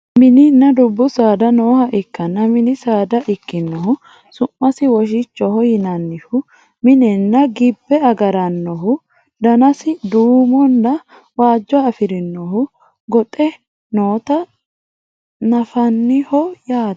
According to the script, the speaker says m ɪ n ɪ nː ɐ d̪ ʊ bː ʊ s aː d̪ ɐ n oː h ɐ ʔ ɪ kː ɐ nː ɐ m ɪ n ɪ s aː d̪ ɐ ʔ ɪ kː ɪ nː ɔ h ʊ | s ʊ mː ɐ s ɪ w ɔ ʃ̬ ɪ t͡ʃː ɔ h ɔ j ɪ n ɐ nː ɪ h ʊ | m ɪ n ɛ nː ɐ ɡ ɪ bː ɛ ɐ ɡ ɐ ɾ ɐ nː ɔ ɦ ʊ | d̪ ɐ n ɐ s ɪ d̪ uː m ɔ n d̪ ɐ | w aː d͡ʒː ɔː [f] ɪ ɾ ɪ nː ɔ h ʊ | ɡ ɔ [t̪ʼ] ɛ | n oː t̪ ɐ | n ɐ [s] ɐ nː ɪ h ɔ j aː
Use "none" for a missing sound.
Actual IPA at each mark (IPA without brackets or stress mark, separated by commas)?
f, t̪ʼ, f